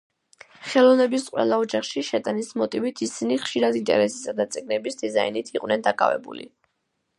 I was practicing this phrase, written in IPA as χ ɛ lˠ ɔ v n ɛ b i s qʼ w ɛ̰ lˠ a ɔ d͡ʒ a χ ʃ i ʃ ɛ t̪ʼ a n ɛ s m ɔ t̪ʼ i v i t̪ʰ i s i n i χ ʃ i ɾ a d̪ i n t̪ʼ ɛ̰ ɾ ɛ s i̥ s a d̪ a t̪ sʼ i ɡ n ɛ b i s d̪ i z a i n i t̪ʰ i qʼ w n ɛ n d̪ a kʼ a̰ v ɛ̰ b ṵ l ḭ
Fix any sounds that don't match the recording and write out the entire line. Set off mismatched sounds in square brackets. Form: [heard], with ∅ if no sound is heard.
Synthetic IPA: χ ɛ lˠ ɔ v n ɛ b i s qʼ w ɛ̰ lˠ a ɔ d͡ʒ a χ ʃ i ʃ ɛ t̪ʼ a n [i] s m ɔ t̪ʼ i v i t̪ʰ i s i n i χ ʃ i ɾ a d̪ i n t̪ʼ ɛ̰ ɾ ɛ s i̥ s a d̪ a t̪ sʼ i ɡ n ɛ b i s d̪ i z a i n i t̪ʰ i qʼ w n ɛ n d̪ a kʼ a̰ v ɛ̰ b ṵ l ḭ